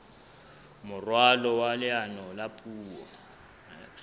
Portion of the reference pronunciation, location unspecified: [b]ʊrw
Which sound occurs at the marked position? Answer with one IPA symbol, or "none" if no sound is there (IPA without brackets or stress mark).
m